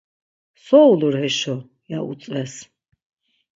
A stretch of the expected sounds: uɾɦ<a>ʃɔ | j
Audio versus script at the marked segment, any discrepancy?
yes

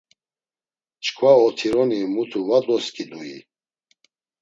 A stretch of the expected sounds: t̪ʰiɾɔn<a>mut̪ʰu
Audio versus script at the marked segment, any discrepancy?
yes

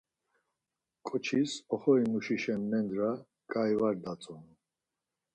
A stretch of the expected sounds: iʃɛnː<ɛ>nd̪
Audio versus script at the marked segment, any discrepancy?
no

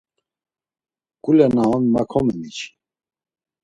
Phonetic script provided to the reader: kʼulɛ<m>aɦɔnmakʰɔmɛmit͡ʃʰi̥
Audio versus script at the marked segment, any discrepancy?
yes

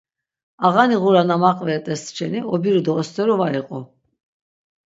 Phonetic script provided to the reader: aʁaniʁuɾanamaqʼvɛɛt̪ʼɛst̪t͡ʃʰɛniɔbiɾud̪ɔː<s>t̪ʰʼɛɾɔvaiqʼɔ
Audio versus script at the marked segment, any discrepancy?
no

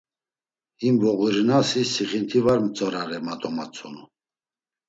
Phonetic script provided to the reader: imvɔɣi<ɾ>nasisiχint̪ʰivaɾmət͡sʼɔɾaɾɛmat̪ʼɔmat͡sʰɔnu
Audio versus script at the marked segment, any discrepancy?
no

